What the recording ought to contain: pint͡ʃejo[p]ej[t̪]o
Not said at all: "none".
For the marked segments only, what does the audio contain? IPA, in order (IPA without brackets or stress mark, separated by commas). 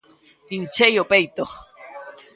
p, t̪